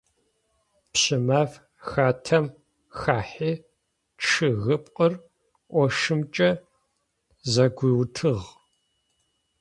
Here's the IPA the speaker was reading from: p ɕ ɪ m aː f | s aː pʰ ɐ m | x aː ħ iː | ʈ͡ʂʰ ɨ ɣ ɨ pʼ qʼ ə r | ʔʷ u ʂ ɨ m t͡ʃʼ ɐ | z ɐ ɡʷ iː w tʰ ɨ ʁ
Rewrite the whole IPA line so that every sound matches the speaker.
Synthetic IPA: p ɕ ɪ m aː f | x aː tʰ ɐ m | x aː ħ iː | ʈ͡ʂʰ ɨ ɣ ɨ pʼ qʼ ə r | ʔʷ ɔ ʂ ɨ m t͡ʃʼ ɐ | z ɐ ɡʷ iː w tʰ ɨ ʁ